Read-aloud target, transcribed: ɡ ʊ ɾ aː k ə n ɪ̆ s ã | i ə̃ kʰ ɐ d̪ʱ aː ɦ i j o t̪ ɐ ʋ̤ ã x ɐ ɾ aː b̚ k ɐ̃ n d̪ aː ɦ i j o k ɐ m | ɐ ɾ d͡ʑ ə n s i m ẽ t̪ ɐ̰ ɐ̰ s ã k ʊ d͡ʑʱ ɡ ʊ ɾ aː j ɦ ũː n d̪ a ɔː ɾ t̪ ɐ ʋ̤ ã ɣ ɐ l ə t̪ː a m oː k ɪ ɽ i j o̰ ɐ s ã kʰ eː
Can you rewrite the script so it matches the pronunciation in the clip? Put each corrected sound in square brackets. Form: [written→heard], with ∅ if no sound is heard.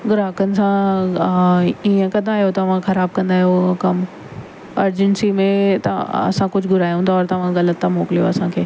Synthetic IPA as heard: ɡ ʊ ɾ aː k ə n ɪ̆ s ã | i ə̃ [kʰ→k] ɐ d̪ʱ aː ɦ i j o t̪ ɐ ʋ̤ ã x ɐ ɾ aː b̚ k ɐ̃ n d̪ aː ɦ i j o k ɐ m | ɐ ɾ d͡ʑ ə n s i m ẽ t̪ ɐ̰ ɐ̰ s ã k ʊ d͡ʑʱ ɡ ʊ ɾ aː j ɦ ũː n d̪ a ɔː ɾ t̪ ɐ ʋ̤ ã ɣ ɐ l ə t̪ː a m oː k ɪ [ɽ→l] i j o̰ ɐ s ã kʰ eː